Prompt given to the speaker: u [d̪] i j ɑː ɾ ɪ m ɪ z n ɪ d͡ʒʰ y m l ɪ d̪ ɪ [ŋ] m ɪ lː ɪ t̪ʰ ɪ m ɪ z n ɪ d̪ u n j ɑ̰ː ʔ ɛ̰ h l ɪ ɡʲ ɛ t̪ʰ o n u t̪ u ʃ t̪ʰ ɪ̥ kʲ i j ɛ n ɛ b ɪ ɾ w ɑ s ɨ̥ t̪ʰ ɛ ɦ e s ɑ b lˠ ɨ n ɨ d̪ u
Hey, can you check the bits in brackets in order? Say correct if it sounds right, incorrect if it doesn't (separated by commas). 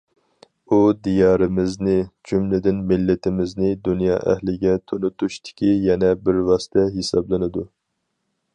correct, incorrect